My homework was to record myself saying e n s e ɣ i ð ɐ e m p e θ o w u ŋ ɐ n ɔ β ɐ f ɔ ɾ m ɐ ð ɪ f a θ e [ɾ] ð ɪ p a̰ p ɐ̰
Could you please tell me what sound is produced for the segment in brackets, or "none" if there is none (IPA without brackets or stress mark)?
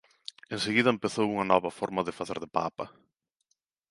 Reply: ɾ